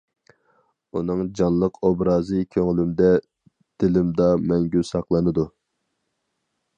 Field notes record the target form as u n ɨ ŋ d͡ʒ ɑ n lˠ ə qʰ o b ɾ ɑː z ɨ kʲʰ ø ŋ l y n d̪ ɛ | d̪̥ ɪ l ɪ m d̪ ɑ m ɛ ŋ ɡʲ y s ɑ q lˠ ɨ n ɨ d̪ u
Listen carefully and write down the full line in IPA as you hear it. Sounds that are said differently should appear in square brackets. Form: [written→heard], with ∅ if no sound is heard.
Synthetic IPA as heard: u n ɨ ŋ d͡ʒ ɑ n lˠ ə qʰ o b ɾ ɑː z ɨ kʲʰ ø ŋ l y [n→m] d̪ ɛ | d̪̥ ɪ l ɪ m d̪ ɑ m ɛ ŋ ɡʲ y s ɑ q lˠ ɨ n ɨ d̪ u